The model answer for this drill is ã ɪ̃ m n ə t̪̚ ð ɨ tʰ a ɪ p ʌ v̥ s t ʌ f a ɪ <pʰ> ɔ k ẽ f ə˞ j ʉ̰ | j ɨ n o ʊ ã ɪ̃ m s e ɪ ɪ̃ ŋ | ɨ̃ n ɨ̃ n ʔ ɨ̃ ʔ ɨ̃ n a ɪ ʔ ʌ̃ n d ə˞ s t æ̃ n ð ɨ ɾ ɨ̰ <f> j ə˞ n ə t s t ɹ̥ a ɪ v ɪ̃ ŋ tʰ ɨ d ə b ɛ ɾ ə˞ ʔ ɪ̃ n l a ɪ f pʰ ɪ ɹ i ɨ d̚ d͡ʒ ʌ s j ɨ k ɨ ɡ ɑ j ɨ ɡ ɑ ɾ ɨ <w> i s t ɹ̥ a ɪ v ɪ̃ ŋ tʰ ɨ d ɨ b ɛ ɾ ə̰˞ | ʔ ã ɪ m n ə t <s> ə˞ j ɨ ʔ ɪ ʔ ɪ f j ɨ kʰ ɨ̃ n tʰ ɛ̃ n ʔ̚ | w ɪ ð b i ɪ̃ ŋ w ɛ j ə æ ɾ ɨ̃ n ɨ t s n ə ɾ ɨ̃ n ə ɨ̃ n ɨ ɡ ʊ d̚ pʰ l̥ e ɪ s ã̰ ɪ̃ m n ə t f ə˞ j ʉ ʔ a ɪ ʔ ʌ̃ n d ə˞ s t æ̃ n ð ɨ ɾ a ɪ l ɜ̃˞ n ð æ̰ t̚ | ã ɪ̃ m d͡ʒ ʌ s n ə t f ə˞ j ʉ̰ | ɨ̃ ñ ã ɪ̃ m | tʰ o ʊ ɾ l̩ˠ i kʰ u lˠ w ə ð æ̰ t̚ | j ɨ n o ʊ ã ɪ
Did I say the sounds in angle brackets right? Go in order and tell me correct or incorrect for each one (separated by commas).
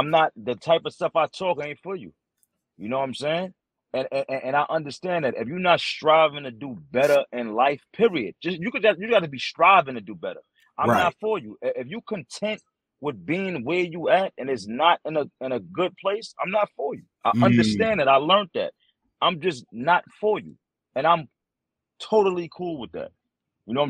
incorrect, correct, incorrect, incorrect